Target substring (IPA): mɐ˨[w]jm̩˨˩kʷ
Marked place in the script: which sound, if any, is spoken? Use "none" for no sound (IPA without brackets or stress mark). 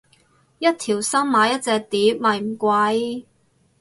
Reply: none